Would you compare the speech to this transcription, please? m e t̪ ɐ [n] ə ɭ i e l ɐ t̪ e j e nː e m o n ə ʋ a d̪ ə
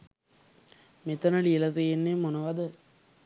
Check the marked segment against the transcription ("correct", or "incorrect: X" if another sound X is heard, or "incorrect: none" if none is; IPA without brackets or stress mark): correct